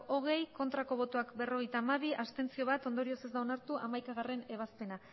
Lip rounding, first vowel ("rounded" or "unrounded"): rounded